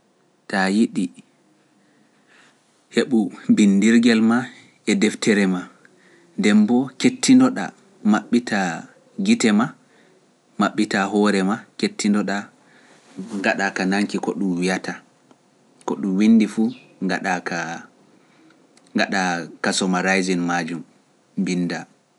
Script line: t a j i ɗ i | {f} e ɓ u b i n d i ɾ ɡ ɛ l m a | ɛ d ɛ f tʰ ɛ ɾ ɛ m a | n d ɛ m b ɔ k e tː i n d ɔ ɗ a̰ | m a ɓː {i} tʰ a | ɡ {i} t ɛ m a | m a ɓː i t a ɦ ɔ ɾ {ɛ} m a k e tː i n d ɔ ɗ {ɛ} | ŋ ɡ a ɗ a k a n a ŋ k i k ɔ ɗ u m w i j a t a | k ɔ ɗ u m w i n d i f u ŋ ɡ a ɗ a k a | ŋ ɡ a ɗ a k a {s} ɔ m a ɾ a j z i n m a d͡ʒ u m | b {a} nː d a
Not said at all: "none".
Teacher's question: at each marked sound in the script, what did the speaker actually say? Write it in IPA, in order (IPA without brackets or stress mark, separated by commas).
h, i, i, ɛ, a, s, i